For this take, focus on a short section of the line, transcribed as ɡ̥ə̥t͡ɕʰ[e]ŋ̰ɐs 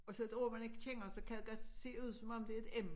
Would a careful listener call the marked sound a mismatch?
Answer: no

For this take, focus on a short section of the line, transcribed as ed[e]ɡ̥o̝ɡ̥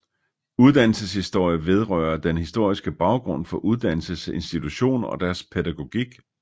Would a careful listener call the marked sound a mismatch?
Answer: yes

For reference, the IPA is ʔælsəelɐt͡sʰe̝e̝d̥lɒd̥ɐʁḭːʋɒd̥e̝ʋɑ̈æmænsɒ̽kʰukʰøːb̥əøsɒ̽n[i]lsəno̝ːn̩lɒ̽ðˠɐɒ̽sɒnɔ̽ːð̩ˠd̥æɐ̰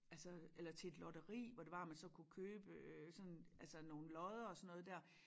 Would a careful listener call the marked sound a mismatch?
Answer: yes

